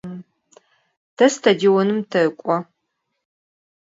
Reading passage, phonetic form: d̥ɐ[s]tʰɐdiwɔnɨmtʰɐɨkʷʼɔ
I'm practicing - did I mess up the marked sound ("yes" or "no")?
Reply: no